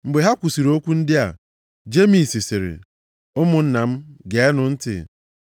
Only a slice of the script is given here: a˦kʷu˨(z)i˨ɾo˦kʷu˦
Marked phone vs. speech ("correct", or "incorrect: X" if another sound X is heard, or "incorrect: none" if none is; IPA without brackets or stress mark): incorrect: s